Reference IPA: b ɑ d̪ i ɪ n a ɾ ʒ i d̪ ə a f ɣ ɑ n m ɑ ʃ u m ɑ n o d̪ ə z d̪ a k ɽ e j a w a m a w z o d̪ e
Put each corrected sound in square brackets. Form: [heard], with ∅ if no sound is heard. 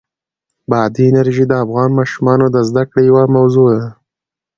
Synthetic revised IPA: b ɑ d̪ i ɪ n a ɾ ʒ i d̪ ə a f ɣ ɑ n m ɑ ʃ u m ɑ n o d̪ ə z d̪ a k ɽ e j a w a m a w z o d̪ [a]